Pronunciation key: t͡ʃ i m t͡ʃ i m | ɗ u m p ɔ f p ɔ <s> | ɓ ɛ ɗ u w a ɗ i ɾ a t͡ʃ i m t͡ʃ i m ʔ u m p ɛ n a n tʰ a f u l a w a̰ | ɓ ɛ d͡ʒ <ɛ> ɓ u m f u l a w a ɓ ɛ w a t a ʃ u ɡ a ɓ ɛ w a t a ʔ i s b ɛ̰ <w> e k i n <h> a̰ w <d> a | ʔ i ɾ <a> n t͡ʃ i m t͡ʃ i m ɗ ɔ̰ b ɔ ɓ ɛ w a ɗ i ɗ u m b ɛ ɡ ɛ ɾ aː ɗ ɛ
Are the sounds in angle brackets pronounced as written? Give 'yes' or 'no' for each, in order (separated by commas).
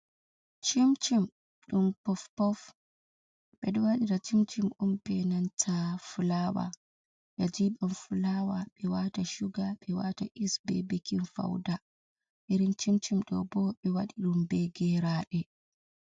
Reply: no, no, no, no, yes, no